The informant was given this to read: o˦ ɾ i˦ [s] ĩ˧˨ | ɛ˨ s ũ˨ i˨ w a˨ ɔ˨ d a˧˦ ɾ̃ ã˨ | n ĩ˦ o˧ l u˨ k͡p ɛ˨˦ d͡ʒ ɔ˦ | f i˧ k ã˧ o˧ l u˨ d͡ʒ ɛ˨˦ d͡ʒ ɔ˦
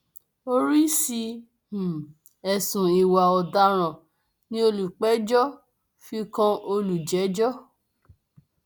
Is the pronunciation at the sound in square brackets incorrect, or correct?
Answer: correct